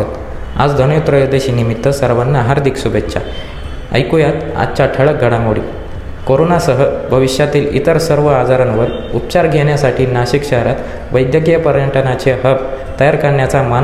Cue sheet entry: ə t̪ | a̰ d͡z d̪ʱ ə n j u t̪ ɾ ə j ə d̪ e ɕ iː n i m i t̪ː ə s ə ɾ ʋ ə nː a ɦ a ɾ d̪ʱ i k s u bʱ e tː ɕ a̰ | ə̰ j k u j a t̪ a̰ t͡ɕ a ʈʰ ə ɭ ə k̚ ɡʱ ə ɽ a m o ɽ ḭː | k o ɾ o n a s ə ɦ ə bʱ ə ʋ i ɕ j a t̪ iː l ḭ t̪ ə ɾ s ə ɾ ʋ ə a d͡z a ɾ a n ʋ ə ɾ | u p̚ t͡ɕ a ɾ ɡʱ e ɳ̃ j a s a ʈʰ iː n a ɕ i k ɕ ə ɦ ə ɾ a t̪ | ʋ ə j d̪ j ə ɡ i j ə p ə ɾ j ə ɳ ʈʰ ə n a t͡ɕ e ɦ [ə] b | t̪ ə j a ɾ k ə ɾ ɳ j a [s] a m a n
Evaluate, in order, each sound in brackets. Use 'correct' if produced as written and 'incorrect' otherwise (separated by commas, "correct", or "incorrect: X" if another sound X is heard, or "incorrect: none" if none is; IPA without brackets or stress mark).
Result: correct, incorrect: t͡s